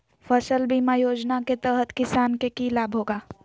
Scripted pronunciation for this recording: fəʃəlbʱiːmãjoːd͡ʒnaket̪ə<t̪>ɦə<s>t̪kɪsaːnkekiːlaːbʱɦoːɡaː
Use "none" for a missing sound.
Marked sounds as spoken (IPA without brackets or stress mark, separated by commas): none, none